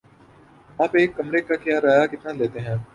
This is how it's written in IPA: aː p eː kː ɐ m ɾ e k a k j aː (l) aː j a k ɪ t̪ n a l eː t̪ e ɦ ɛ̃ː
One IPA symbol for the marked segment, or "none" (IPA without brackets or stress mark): ɾ